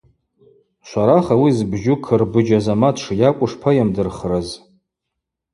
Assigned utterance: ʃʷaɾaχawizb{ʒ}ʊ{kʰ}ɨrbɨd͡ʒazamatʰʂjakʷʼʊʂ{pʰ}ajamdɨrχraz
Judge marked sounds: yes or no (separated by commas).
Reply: yes, yes, yes